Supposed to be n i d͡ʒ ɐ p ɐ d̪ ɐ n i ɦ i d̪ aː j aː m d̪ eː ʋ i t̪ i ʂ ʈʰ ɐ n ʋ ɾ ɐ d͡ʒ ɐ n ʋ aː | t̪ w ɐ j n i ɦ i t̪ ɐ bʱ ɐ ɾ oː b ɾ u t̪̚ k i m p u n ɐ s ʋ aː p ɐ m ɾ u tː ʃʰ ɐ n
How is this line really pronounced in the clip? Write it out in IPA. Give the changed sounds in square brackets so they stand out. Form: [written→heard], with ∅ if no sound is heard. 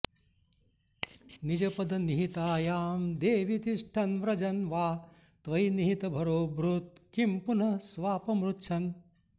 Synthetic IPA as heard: n i d͡ʒ ɐ p ɐ d̪ ɐ n i ɦ i [d̪→t̪] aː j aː m d̪ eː ʋ i t̪ i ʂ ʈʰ ɐ n ʋ ɾ ɐ d͡ʒ ɐ n ʋ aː | t̪ [w→ʋ] ɐ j n i ɦ i t̪ ɐ bʱ ɐ ɾ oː b ɾ u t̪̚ k i m p u n ɐ s ʋ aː p ɐ m ɾ u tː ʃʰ ɐ n